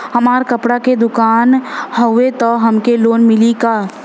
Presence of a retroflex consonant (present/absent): present